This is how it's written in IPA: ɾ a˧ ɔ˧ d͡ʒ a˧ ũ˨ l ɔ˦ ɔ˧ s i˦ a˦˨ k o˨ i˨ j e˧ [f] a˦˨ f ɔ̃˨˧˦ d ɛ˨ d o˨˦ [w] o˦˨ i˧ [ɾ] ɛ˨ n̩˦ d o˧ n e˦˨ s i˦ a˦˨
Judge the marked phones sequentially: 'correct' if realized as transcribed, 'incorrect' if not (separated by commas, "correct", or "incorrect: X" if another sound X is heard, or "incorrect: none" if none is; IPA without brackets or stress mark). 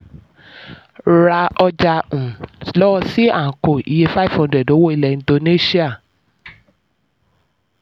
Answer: correct, correct, incorrect: l